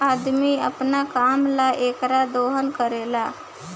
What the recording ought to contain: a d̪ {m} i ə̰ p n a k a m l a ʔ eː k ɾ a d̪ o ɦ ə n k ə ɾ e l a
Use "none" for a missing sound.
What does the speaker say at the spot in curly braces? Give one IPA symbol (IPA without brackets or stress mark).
m